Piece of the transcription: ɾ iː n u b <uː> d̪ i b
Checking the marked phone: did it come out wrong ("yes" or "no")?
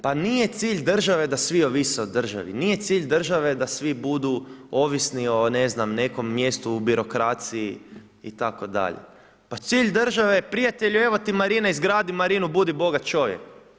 yes